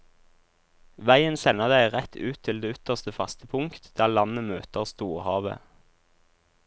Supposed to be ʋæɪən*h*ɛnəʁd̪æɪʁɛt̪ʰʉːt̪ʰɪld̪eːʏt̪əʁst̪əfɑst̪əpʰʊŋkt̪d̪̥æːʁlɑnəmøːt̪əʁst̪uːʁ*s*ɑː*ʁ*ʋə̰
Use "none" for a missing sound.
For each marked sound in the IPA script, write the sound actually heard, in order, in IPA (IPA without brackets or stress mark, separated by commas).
s, h, none